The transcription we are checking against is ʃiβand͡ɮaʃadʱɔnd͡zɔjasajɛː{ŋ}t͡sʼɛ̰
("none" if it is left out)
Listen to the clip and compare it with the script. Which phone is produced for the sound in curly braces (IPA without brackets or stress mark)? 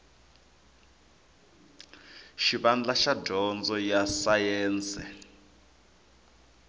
n